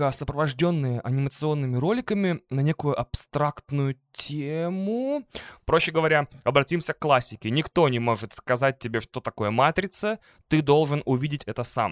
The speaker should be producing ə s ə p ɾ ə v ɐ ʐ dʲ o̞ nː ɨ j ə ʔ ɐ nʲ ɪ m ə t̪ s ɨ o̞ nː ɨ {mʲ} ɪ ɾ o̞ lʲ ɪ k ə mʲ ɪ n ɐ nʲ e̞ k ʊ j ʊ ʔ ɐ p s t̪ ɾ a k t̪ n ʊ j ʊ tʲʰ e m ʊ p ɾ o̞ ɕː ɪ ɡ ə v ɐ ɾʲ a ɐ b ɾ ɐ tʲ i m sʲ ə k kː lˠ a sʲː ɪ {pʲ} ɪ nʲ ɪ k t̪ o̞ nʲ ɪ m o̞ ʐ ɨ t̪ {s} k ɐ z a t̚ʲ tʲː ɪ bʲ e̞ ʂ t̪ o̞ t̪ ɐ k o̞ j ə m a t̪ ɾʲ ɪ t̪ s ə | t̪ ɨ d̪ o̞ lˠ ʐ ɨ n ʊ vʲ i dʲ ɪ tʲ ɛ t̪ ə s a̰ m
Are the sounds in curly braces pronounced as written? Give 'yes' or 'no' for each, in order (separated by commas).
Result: yes, no, yes